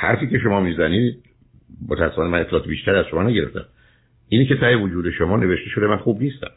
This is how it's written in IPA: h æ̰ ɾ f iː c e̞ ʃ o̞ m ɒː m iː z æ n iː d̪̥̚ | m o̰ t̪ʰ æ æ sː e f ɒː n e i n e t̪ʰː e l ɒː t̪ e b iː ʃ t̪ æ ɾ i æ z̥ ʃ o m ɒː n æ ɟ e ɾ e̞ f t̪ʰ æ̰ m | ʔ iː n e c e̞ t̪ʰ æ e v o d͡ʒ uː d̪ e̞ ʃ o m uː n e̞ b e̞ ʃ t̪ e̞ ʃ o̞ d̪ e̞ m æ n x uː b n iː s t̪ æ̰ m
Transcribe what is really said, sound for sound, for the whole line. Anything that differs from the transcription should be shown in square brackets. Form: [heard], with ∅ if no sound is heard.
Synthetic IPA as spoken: h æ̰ ɾ f iː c e̞ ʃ o̞ m ɒː m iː z æ n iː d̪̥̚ | m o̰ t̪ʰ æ æ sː e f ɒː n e [æ] n e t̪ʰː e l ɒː t̪ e b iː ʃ t̪ æ ɾ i æ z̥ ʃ o m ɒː n æ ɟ e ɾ e̞ f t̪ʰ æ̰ m | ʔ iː n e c e̞ t̪ʰ æ e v o d͡ʒ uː d̪ e̞ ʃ o m [ɒː] n e̞ [v] e̞ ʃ t̪ e̞ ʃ o̞ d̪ e̞ m æ n x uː b n iː s t̪ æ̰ m